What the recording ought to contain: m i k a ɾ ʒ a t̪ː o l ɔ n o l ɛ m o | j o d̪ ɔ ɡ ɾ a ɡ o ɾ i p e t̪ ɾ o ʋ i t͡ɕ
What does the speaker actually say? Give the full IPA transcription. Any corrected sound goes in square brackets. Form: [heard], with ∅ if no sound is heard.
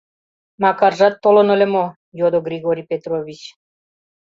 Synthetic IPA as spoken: m [a] k a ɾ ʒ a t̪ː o l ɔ n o l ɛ m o | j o d̪ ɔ ɡ ɾ [i] ɡ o ɾ i p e t̪ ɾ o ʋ i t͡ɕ